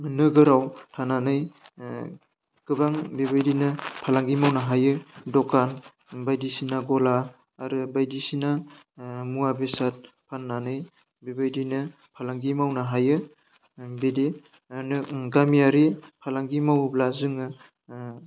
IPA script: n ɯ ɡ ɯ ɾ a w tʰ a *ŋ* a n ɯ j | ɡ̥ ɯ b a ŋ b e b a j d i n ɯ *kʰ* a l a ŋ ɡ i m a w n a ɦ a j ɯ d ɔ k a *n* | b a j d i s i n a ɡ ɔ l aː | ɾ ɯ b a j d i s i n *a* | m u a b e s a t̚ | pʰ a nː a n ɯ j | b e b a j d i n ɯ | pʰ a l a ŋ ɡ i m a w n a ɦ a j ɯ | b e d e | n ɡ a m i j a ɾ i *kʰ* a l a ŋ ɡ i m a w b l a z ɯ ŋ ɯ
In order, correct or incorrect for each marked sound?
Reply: incorrect, incorrect, correct, correct, incorrect

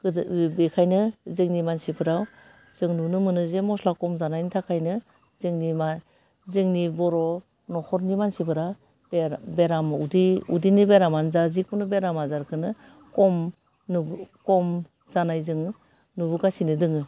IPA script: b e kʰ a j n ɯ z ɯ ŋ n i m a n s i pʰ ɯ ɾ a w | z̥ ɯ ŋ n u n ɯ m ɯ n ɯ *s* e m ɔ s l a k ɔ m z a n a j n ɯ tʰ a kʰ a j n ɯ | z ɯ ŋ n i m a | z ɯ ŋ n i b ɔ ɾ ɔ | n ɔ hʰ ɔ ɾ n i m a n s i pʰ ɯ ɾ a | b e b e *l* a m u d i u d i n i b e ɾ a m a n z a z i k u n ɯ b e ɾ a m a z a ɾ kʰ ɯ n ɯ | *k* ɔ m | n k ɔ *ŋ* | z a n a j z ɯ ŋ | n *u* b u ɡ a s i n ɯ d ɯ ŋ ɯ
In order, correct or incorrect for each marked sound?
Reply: incorrect, incorrect, correct, incorrect, correct

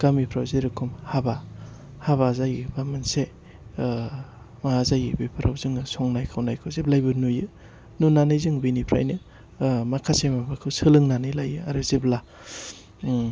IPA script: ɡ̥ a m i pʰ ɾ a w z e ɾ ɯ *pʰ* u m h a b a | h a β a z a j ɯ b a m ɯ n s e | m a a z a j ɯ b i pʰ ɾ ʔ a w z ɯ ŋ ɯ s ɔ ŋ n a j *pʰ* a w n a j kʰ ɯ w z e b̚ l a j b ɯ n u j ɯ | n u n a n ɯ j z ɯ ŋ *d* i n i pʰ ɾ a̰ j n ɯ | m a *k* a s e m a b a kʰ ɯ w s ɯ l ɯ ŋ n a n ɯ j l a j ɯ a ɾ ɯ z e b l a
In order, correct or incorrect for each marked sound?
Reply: incorrect, incorrect, incorrect, incorrect

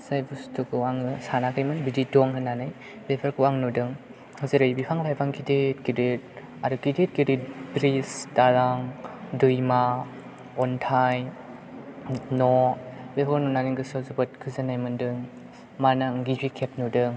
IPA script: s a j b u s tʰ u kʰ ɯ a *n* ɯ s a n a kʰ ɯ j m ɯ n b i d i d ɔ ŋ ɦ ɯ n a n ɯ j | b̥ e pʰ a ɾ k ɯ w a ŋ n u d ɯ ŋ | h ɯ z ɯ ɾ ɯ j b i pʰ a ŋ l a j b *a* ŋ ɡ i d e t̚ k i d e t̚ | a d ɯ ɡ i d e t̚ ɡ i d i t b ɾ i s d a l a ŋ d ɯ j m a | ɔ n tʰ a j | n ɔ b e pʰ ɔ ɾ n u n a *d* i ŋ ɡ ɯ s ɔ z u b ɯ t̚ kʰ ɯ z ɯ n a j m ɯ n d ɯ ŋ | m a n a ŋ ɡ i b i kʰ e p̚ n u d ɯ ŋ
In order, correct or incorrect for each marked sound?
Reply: incorrect, correct, incorrect

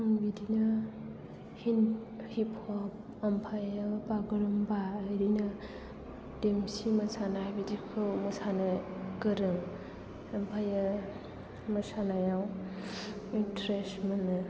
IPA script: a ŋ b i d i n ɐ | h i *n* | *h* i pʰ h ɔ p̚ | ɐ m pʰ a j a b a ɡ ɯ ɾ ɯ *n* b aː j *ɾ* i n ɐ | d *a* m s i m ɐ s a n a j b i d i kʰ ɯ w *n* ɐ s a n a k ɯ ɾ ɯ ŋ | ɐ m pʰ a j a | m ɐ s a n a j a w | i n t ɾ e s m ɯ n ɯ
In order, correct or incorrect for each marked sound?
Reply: correct, correct, incorrect, correct, incorrect, incorrect

